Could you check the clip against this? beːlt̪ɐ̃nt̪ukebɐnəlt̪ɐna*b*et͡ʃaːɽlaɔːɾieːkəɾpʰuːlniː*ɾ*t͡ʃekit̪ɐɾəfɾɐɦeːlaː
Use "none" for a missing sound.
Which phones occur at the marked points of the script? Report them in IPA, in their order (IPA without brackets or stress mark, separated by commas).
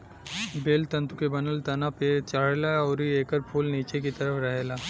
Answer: p, none